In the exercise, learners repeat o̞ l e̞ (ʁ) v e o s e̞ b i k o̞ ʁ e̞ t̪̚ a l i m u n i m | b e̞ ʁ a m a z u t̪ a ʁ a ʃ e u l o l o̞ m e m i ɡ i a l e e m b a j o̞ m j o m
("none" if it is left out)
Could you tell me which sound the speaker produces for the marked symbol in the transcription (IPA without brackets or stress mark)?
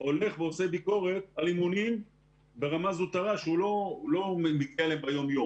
χ